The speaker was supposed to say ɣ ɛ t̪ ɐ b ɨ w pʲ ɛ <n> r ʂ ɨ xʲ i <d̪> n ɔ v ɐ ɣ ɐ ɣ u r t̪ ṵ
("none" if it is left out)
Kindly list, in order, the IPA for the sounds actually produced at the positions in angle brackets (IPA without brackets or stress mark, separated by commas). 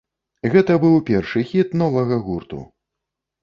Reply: none, t̪